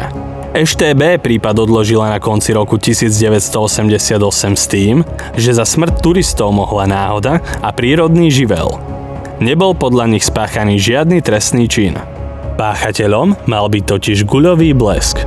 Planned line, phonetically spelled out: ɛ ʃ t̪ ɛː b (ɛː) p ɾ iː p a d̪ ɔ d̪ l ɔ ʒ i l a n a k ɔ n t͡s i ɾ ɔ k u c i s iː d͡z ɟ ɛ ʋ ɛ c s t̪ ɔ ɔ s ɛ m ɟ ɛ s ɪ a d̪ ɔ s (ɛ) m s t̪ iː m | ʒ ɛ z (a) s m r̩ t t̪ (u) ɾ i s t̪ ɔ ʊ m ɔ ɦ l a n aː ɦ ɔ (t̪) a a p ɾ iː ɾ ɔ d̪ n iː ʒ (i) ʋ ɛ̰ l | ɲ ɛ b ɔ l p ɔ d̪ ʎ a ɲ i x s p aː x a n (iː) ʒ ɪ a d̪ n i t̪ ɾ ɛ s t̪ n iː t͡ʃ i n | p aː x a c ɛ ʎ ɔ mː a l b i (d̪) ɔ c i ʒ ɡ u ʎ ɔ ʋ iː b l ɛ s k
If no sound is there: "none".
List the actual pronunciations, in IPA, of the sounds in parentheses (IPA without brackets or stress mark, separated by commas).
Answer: ɛː, ɛ, a, u, d̪, i, iː, t̪